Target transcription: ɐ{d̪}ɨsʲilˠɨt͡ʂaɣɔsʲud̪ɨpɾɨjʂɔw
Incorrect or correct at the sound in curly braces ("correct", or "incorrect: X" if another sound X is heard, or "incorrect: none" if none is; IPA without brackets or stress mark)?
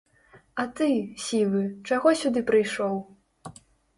incorrect: t̪